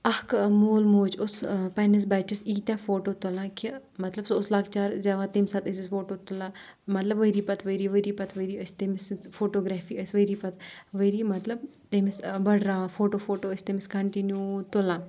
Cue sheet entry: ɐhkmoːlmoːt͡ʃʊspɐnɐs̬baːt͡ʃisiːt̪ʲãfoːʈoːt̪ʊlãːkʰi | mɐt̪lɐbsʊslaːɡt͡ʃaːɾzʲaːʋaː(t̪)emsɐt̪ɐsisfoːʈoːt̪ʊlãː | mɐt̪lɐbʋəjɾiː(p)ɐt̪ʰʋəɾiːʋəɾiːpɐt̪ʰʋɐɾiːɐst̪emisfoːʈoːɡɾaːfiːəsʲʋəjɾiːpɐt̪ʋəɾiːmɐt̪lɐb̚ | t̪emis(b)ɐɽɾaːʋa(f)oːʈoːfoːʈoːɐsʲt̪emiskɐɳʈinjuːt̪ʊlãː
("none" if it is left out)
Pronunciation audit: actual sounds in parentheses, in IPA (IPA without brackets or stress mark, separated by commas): t̪, p, b, f